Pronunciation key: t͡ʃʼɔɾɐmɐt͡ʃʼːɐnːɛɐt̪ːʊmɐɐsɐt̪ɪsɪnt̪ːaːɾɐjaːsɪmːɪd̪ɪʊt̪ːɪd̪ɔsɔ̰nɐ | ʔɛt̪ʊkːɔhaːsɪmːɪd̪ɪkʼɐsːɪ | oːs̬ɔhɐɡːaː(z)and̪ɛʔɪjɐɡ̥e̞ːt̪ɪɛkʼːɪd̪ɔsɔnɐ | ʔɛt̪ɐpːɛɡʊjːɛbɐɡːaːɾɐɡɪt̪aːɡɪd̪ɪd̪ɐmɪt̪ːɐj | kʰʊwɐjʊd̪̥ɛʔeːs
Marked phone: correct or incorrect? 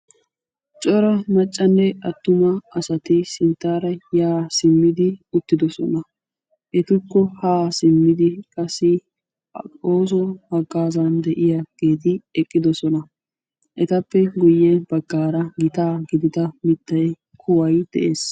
correct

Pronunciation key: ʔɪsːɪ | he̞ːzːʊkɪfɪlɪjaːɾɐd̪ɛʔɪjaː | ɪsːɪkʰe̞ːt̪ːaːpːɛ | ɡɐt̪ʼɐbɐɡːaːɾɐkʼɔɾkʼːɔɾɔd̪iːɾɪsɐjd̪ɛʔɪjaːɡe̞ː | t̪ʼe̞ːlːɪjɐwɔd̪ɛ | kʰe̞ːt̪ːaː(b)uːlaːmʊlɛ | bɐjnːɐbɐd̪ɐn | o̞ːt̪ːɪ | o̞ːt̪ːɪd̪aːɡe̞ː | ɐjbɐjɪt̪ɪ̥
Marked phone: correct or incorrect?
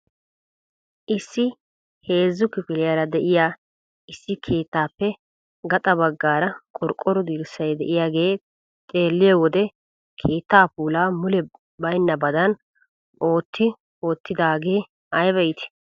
incorrect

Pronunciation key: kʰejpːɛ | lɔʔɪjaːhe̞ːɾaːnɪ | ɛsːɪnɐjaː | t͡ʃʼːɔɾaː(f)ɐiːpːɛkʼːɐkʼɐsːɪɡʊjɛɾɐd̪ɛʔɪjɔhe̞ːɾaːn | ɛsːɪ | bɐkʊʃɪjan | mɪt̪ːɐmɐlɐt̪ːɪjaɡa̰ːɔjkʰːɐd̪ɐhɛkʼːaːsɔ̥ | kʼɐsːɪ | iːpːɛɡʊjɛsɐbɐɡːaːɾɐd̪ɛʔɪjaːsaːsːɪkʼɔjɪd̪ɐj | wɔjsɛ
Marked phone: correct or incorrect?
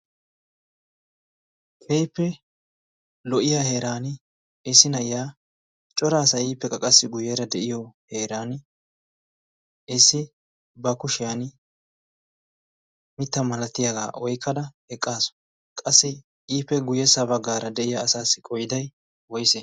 incorrect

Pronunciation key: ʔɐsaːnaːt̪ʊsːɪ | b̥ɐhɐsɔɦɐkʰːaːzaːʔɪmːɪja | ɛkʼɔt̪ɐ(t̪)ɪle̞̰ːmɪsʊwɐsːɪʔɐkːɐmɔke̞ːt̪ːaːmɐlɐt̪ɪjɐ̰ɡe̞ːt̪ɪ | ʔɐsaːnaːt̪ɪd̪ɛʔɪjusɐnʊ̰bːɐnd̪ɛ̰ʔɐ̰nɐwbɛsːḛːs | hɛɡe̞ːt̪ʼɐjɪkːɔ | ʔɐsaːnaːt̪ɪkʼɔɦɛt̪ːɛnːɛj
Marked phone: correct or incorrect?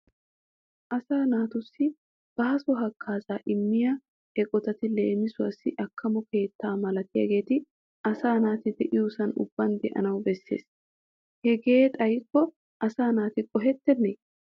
correct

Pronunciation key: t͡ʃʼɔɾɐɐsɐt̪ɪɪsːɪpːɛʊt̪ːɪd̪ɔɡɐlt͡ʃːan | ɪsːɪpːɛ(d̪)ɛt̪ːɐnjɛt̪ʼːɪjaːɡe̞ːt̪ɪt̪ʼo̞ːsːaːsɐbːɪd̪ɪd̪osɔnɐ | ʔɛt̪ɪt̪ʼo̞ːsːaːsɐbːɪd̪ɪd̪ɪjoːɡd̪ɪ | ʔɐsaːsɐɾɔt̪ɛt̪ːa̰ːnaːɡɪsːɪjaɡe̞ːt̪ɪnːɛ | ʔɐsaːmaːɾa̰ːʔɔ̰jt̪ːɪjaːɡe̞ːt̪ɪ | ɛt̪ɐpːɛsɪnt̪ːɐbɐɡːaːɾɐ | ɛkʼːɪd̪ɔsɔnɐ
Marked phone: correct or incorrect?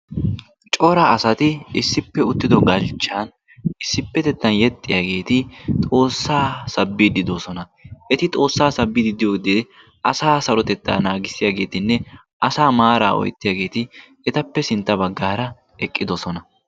incorrect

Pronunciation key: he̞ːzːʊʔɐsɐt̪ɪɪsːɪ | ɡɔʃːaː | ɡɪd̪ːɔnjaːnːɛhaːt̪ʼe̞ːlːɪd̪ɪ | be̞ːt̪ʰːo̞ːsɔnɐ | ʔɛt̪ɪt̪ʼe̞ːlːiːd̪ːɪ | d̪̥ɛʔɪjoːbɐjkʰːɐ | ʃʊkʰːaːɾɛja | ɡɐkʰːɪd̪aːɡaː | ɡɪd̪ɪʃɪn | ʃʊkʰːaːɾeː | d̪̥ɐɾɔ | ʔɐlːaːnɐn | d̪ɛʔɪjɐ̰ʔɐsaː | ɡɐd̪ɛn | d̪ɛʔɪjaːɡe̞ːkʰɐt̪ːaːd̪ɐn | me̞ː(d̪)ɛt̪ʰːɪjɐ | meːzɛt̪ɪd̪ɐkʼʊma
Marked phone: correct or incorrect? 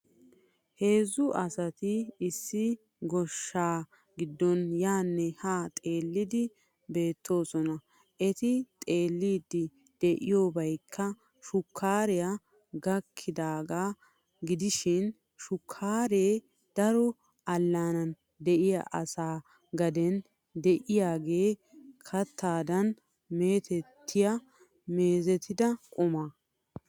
incorrect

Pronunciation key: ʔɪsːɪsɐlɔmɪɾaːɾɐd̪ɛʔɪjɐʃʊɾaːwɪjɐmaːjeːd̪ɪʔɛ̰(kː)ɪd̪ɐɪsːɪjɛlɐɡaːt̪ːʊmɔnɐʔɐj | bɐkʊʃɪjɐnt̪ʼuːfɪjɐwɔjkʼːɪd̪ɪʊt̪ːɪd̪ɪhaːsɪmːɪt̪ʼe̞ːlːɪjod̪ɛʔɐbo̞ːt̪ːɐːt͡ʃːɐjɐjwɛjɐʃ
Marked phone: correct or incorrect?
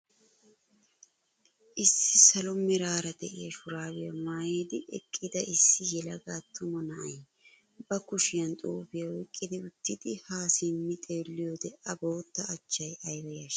incorrect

